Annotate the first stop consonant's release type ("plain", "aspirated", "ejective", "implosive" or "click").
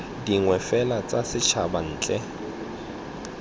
plain